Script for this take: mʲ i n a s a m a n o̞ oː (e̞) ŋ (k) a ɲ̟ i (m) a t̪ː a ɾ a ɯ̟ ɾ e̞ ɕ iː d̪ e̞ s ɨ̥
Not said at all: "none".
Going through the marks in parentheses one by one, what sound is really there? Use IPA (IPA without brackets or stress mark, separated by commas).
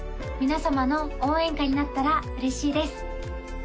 ẽ̞, k, n